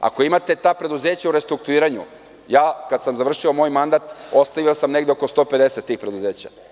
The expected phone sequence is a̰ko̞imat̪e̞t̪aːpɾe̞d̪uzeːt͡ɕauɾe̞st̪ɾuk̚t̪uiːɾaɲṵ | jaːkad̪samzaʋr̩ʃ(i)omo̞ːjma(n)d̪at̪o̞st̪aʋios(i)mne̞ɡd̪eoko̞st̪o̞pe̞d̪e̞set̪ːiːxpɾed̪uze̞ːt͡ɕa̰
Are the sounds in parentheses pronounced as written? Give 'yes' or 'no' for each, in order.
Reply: yes, yes, no

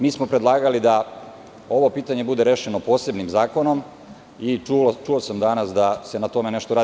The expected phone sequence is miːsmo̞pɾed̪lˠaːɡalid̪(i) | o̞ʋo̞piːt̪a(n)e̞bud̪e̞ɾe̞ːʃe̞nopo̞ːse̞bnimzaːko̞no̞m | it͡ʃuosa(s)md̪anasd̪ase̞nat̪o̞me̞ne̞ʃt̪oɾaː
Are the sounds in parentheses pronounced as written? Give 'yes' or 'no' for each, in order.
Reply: no, no, no

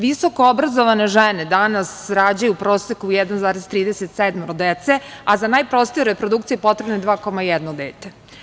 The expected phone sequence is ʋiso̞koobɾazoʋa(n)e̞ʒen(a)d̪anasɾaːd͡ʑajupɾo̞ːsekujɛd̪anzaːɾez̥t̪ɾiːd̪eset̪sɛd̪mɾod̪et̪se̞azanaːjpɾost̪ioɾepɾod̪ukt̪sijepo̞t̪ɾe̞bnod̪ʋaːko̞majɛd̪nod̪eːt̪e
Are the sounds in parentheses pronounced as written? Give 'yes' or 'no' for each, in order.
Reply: yes, no

